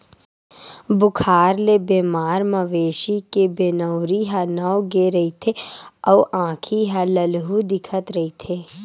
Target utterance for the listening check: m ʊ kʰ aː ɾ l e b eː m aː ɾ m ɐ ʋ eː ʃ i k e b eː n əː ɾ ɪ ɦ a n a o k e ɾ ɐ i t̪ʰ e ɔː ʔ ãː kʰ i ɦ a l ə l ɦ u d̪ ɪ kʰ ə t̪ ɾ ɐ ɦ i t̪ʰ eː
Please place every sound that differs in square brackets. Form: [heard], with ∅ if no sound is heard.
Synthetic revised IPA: [b] ʊ kʰ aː ɾ l e b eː m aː ɾ m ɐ ʋ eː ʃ i k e b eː n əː ɾ [i] ɦ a n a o [ɡ] e ɾ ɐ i t̪ʰ e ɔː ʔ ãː kʰ i ɦ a l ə l ɦ u d̪ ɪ kʰ ə t̪ ɾ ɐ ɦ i t̪ʰ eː